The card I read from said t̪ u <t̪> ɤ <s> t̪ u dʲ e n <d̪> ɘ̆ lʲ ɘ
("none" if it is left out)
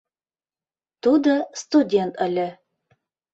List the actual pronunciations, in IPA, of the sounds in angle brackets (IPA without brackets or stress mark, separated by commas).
d̪, s, t̪